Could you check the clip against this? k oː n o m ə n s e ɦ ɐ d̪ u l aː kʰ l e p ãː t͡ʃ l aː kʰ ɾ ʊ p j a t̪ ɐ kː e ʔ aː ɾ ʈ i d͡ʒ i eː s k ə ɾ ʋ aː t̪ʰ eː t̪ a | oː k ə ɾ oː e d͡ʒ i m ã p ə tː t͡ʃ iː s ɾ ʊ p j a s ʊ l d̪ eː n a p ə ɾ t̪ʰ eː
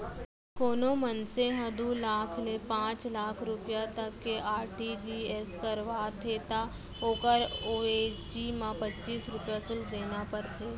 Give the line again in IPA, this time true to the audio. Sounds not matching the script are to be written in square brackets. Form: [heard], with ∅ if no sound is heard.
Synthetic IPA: k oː n o m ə n s e ɦ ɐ d̪ u l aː kʰ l e p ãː t͡ʃ l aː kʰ ɾ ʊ p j a t̪ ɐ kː e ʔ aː ɾ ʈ i d͡ʒ i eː s k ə ɾ ʋ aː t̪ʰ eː t̪ a | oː k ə ɾ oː e d͡ʒ i m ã p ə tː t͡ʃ iː s ɾ ʊ p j a s ʊ l d̪ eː n a p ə ɾ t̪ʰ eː